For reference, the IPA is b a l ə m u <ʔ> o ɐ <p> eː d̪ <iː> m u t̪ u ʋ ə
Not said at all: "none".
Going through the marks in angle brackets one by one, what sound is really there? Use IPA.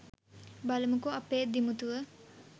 k, p, i

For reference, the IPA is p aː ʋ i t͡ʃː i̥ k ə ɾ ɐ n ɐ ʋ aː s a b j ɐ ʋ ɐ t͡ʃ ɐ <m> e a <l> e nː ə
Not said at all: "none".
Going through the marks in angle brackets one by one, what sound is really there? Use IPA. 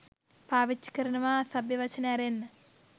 n, ɾ

